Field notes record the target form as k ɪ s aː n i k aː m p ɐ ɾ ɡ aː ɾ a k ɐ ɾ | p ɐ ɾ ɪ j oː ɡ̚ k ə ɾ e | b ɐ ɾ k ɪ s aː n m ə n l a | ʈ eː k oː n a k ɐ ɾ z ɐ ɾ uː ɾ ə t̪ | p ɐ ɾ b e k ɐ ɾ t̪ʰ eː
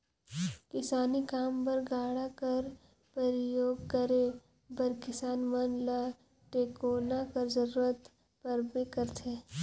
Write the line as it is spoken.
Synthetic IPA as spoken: k ɪ s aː n i k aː m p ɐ ɾ ɡ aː ɽ a k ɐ ɾ | p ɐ ɾ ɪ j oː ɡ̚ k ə ɾ e | b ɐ ɾ k ɪ s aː n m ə n l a | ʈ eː k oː n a k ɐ ɾ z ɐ ɾ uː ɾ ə t̪ | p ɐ ɾ b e k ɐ ɾ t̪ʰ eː